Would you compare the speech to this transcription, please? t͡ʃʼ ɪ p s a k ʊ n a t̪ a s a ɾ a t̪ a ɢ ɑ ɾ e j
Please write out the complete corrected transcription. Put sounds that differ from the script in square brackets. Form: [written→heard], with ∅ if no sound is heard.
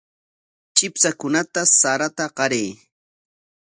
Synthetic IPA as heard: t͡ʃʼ ɪ p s a k ʊ n a t̪ a s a ɾ a t̪ a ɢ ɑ ɾ e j